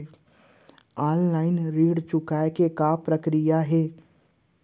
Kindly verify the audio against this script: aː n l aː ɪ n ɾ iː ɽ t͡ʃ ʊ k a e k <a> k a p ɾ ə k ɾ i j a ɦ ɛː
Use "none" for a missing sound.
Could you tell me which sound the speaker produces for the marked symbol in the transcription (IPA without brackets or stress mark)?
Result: e